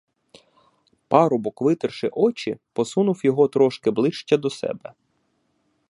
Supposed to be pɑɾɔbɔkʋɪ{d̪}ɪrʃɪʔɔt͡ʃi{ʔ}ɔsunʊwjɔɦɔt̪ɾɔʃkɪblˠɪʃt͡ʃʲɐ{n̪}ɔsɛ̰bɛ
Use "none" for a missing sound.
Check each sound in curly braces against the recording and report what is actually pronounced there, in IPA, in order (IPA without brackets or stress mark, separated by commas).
t̪, p, d̪